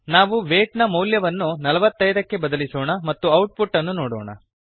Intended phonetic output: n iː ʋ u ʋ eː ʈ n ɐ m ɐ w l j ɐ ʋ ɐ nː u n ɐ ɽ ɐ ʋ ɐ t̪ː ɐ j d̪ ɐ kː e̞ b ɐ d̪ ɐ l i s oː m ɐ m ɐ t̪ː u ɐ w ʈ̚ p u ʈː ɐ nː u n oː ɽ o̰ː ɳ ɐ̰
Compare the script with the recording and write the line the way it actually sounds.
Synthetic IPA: n aː ʋ u ʋ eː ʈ n ɐ m ɐ w l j ɐ ʋ ɐ nː u n ɐ l ɐ ʋ ɐ t̪ː ɐ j d̪ ɐ kː e̞ b ɐ d̪ ɐ l i s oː ɳ ɐ m ɐ t̪ː u ɐ w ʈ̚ p u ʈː ɐ nː u n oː ɽ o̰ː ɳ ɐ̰